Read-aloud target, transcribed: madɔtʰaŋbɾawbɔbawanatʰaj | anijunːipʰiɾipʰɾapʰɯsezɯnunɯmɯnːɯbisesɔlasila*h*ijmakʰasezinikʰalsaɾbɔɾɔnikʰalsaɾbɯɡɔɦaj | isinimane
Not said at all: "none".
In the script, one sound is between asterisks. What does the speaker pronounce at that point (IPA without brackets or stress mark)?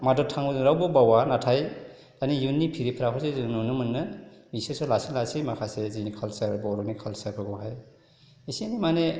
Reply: s